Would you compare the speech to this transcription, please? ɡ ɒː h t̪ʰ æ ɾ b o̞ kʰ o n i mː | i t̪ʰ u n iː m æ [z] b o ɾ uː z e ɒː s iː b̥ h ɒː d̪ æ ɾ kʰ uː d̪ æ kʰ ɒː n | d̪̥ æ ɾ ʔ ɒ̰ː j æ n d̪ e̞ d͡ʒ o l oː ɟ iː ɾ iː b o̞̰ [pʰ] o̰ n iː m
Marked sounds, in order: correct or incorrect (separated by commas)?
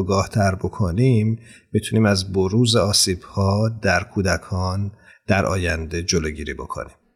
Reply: correct, incorrect